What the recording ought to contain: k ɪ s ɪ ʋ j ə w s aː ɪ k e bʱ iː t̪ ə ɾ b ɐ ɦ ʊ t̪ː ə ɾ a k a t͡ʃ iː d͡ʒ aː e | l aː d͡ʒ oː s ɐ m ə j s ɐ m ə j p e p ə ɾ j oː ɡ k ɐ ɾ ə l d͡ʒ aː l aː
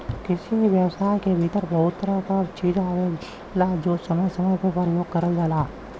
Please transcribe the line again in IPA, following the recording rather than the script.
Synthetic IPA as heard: k ɪ s i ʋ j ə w s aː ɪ k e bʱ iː t̪ ə ɾ b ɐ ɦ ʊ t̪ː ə ɾ a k a t͡ʃ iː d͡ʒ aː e | l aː d͡ʒ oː s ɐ m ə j s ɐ m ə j p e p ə ɾ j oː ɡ k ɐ ɾ ə l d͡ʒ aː l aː